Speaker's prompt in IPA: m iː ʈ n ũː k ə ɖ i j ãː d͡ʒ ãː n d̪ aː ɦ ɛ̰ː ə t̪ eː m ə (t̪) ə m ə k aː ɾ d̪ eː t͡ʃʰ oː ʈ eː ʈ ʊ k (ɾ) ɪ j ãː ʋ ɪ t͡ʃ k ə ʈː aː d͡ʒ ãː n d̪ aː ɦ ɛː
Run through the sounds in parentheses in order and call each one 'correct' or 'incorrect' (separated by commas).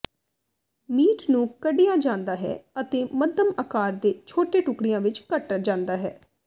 incorrect, incorrect